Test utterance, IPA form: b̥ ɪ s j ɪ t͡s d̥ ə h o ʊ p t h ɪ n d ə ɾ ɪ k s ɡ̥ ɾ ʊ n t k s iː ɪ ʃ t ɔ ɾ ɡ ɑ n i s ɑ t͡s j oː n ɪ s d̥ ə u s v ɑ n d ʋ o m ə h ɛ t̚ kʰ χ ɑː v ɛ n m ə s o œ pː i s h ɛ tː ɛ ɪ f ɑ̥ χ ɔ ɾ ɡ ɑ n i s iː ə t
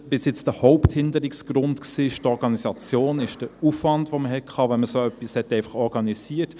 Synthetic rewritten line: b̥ ɪ s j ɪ t͡s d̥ ə h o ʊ p t h ɪ n d ə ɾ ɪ k s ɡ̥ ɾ ʊ n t k s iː ɪ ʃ t ɔ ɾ ɡ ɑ n i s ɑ t͡s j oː n ɪ ʃ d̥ ə u f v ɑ n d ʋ o m ə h ɛ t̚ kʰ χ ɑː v ɛ n m ə s o œ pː i s h ɛ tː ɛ ɪ f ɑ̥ χ ɔ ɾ ɡ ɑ n i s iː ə t